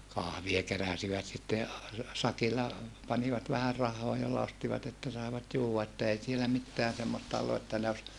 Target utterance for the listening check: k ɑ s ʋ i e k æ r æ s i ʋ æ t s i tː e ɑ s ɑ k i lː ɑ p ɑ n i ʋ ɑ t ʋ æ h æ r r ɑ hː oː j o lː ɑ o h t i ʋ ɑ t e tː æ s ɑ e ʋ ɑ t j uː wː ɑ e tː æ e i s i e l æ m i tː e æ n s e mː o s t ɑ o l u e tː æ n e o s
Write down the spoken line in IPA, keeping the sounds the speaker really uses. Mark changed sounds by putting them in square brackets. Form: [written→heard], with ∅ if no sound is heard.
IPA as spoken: k ɑ [s→h] ʋ i e k [æ→e] r æ s i ʋ æ t s i tː e ɑ s ɑ k i lː ɑ p ɑ n i ʋ ɑ t ʋ æ h æ r r ɑ hː oː j o lː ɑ o [h→s] t i ʋ ɑ t e tː æ s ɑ e ʋ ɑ t j uː wː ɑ e tː æ e i s i e l æ m i tː e æ n s e mː o s t ɑ o [l→lː] u e tː æ n e o s

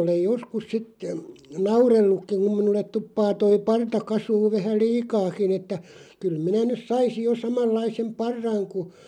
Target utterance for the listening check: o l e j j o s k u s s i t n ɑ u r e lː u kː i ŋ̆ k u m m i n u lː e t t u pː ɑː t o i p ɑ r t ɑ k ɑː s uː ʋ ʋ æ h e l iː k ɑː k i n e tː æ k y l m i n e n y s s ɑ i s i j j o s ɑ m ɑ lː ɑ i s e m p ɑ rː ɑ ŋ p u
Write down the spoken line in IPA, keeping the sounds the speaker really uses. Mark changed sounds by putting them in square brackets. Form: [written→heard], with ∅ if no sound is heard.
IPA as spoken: o l e j j o s k u s s i t n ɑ u r e lː u kː i ŋ̆ k u m m i n u lː e t t u pː ɑː t o i p ɑ r t ɑ k [ɑː→ɑ] s uː ʋ ʋ æ h [e→æ] l iː k ɑː k i n e tː æ k y l m i n [e→æ] n y s s ɑ i s i j j o s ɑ m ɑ lː ɑ i s e m p ɑ rː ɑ ŋ [p→k] u

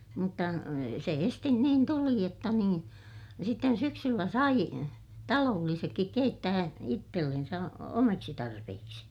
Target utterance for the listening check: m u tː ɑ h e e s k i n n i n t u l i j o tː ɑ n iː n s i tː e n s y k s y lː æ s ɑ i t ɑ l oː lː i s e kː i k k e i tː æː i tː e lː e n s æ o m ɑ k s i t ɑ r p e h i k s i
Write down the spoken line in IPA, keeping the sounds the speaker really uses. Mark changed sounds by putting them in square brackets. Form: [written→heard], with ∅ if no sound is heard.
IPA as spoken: m u tː ɑ [h→s] e e s [k→t] i n n [i→iː] n t u l i j o tː ɑ n iː n s i tː e n s y k s y lː æ s ɑ i t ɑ l oː lː i s e kː i k k e i tː æː i tː e lː e n s æ o m ɑ k s i t ɑ r p e h i k s i

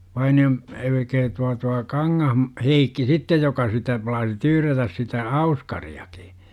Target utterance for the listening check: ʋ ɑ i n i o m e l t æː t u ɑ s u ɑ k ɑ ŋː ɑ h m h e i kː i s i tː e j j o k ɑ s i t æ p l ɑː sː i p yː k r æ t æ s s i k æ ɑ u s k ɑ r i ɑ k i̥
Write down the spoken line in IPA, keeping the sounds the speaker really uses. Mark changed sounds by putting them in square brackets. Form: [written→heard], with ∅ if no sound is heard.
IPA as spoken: ʋ ɑ i n i o m e l [t→k] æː t u ɑ [s→t] u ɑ k ɑ ŋː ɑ h m h e i kː i s i tː e j j o k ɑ s i t æ p l ɑː [sː→s] i [p→t] yː [k→∅] r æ t æ s s i [k→t] æ ɑ u s k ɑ r i ɑ k i̥

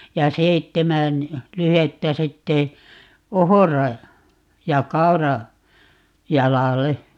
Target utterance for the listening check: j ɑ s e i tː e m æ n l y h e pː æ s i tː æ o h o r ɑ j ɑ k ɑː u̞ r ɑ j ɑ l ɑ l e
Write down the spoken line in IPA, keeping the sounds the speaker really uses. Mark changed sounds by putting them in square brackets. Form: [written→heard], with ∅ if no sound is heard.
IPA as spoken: j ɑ s e i tː e m æ n l y h e [pː→tː] æ s i tː [æ→e] o h o r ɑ j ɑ k [ɑː→ɑ] u̞ r ɑ j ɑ l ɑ l e

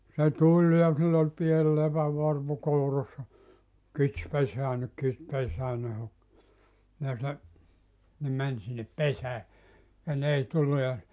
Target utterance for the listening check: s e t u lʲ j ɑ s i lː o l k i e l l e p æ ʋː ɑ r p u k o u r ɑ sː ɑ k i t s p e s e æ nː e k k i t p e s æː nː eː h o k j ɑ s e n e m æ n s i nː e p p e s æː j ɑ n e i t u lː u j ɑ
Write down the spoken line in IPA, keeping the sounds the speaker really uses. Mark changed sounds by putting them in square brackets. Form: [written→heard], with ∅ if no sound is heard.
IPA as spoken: s e t u lʲ j ɑ s i lː o l [k→p] i e l l e p æ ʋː ɑ r p u k o u r ɑ sː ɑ k i t s p e s e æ nː e k k i t p e s æː nː [eː→e] h o k j ɑ s e n e m æ n s i nː e p p e s æː j ɑ n e i t u lː u j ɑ

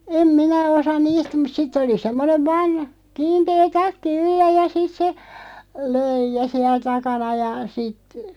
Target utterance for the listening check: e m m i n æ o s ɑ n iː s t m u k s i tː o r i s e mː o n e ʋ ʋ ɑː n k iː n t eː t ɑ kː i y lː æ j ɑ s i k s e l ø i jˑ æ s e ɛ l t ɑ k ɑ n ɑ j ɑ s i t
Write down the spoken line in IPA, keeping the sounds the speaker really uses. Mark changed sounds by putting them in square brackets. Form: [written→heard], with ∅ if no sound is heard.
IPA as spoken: e m m i n æ o s ɑ n iː s t m u [k→t] s i tː o [r→l] i s e mː o n e ʋ ʋ ɑː n k iː n t eː t ɑ kː i y lː æ j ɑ s i [k→t] s e l ø i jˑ æ s [e→i] ɛ l t ɑ k ɑ n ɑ j ɑ s i t

